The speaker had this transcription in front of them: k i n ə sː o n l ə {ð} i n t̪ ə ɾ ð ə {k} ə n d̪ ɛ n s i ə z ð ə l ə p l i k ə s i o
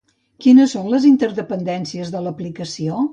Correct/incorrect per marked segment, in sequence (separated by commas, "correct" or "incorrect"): incorrect, incorrect